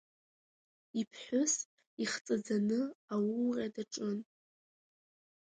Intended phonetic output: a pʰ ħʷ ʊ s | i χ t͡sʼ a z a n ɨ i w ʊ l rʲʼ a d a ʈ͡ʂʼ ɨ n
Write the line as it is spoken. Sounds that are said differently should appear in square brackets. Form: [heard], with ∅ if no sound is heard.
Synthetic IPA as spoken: [i] pʰ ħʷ ʊ s | i χ t͡sʼ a [d͡z] a n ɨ [a] w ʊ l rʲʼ a d a ʈ͡ʂʼ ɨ n